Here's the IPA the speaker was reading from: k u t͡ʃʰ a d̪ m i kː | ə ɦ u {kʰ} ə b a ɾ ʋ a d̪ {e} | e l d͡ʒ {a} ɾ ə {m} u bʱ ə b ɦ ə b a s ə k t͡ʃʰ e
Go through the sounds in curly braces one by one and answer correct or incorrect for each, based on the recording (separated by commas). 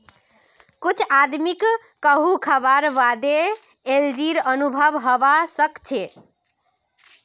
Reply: correct, correct, incorrect, incorrect